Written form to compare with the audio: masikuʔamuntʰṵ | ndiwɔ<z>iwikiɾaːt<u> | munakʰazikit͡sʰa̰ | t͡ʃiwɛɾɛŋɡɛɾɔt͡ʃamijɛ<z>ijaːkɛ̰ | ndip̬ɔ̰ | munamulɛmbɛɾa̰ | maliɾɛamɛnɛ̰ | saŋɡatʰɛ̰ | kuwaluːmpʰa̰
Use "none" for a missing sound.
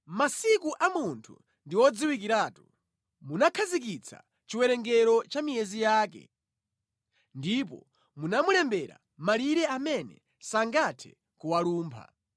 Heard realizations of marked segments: d͡z, u, z

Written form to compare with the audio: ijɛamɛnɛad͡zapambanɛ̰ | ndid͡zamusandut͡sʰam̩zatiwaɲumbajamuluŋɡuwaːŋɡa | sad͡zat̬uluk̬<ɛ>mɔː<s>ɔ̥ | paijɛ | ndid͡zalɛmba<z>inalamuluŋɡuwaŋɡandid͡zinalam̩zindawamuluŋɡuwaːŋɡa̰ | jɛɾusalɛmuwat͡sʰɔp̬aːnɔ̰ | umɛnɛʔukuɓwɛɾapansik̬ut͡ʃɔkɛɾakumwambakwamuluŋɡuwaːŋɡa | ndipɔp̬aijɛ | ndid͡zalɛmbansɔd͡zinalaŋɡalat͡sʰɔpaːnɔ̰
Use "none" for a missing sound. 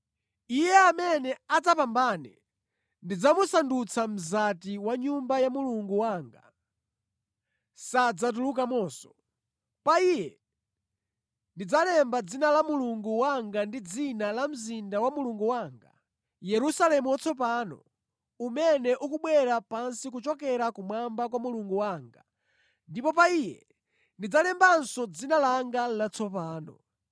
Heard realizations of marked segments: a, s, d͡z

